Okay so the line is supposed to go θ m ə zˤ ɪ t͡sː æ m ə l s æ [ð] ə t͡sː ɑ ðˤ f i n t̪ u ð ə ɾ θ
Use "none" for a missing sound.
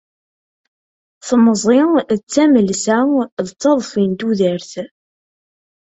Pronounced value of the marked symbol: ð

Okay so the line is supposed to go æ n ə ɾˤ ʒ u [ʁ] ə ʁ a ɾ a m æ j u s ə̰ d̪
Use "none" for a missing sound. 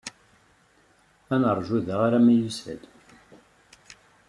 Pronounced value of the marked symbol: ð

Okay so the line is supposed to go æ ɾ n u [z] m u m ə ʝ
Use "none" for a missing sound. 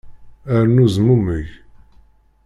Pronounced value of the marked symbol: z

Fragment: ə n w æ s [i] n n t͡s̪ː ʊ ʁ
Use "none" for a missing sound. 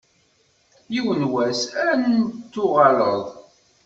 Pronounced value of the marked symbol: æ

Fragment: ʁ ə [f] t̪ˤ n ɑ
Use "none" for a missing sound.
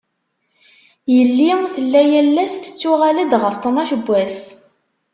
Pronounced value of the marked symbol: f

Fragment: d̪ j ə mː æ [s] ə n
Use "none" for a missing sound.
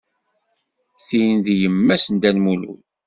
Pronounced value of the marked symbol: s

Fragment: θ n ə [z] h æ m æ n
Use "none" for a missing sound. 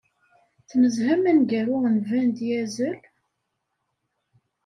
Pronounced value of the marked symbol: z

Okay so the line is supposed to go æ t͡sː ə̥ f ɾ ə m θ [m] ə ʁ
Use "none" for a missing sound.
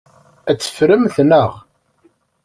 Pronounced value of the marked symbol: n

